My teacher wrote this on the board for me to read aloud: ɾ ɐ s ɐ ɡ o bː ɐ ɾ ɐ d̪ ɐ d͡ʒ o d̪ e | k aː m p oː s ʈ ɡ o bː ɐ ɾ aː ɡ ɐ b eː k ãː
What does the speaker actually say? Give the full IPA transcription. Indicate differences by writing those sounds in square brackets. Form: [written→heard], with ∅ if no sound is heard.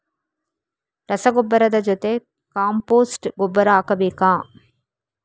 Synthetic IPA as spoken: ɾ ɐ s ɐ ɡ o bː ɐ ɾ ɐ d̪ ɐ d͡ʒ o [d̪→t̪] e | k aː m p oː s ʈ ɡ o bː ɐ ɾ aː [ɡ→k] ɐ b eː k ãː